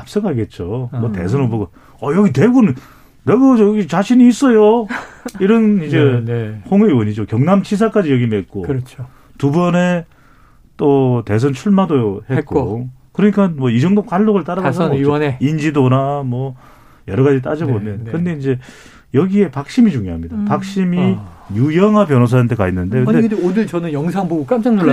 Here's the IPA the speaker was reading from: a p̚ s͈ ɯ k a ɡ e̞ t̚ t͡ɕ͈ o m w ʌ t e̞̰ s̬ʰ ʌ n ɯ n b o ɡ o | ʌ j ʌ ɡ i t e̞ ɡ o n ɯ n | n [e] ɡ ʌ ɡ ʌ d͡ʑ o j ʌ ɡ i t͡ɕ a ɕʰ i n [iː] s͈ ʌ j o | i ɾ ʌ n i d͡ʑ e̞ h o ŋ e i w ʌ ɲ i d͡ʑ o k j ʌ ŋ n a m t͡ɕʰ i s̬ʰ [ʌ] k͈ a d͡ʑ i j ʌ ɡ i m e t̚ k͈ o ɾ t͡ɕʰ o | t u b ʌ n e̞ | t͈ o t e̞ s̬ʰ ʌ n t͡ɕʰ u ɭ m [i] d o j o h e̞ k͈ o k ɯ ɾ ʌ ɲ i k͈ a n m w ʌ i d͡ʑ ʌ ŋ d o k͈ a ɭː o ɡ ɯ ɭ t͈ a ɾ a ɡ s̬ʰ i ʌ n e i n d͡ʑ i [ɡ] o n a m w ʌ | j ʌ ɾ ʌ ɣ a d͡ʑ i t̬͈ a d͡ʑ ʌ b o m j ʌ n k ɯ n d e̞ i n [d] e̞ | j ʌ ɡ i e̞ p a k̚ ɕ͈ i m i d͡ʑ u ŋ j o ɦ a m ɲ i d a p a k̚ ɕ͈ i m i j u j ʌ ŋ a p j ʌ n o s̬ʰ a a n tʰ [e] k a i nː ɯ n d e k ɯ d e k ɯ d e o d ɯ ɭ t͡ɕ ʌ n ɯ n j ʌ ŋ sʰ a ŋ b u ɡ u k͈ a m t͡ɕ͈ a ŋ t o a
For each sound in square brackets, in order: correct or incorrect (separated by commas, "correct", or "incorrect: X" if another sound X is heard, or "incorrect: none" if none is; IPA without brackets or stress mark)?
correct, correct, incorrect: a, incorrect: a, incorrect: d, incorrect: d͡ʑ, correct